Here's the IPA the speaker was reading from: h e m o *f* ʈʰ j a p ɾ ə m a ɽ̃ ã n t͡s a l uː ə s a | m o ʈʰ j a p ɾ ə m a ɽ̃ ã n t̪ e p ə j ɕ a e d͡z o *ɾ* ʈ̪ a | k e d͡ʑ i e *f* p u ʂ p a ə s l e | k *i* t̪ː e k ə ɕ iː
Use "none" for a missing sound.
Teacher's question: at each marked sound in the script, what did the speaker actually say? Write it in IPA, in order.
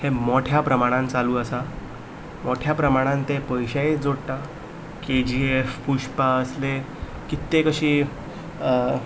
none, ɽ, f, i

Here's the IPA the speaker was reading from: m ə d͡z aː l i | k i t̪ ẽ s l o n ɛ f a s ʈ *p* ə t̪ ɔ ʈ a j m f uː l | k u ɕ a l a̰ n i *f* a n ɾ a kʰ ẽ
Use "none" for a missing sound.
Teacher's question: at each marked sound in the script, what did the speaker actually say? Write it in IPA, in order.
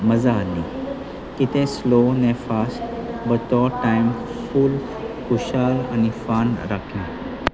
b, f

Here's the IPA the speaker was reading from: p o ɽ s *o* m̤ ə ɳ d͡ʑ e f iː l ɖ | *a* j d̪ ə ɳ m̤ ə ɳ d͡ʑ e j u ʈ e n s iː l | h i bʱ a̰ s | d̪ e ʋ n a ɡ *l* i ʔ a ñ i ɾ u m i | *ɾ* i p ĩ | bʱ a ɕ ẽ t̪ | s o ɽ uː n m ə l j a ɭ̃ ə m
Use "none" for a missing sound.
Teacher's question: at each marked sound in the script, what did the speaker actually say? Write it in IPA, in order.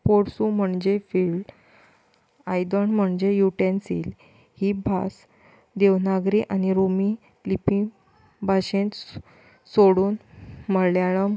u, a, ɾ, l

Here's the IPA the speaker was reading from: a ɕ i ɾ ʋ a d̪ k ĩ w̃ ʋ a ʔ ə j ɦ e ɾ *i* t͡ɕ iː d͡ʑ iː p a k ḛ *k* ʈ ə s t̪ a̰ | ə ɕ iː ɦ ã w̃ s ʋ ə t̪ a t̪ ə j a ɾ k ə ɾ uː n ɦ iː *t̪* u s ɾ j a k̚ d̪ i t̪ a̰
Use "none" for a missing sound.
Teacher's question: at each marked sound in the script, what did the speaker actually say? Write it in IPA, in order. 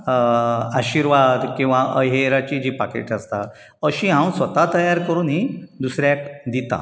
a, none, d̪

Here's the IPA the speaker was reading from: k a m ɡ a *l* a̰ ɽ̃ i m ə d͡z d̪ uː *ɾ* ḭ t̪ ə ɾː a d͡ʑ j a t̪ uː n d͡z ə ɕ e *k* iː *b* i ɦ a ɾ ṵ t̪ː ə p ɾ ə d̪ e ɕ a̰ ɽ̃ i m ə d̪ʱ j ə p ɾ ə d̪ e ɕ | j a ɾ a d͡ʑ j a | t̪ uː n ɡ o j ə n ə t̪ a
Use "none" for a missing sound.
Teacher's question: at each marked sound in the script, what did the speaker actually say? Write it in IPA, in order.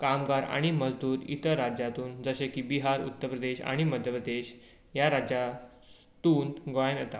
ɾ, ɾ, k, b

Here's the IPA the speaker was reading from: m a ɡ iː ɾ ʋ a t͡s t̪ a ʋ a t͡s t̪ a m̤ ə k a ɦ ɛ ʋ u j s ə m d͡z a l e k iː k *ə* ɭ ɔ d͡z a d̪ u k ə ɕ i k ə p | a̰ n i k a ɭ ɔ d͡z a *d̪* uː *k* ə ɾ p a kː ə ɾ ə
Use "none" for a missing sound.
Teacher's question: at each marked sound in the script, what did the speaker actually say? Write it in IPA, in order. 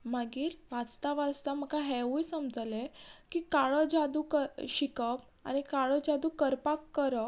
a, d̪, k

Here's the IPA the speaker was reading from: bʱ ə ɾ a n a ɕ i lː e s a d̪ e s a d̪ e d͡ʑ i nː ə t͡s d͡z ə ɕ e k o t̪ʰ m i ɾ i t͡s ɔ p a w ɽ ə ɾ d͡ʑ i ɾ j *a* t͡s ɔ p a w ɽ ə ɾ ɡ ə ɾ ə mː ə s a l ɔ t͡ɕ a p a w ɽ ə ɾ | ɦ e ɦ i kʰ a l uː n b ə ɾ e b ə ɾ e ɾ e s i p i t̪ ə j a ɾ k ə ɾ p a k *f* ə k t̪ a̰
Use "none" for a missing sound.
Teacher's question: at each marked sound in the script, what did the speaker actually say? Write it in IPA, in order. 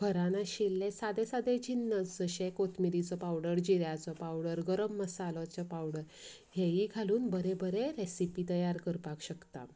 a, ɕ

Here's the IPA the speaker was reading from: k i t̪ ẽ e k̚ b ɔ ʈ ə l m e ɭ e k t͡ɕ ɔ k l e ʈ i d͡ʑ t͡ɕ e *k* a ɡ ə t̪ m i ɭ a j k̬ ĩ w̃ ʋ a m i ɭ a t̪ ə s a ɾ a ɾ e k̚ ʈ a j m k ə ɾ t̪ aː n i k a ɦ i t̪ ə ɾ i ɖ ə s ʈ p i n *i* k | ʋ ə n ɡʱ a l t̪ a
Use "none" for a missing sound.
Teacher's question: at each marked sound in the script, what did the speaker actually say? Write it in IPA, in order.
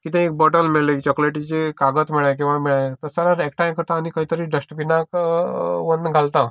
k, a

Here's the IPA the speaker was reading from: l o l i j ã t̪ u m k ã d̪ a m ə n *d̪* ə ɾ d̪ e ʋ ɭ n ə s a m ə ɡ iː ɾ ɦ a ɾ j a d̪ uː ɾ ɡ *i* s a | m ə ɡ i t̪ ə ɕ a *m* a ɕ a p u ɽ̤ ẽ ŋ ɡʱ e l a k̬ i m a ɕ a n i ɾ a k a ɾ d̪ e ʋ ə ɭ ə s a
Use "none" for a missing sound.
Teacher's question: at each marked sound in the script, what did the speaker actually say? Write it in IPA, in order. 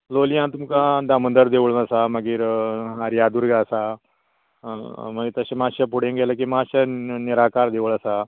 d̪, a, m

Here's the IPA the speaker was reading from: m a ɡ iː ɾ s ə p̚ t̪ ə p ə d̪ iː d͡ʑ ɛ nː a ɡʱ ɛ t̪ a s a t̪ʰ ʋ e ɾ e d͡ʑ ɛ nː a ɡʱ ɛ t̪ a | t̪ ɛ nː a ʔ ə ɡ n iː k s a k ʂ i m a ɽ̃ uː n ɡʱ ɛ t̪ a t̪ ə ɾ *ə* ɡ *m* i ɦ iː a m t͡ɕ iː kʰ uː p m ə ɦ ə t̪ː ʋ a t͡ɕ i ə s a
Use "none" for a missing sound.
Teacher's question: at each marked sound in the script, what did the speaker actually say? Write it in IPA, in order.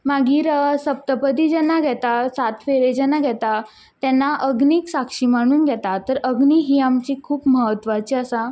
ə, n

